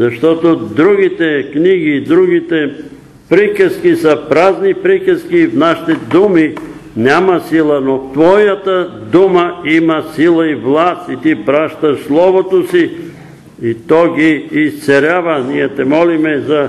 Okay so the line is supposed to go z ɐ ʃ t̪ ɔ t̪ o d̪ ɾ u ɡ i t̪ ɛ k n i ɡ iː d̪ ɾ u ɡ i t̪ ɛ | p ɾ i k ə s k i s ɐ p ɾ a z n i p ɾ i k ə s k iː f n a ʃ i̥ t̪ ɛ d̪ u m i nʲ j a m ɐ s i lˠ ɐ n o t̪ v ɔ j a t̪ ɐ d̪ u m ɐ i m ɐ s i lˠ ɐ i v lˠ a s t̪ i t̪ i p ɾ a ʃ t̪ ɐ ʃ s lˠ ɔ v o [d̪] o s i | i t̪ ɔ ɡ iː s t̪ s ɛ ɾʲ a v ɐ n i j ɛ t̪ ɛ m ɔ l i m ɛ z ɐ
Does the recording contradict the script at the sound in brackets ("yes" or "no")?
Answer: yes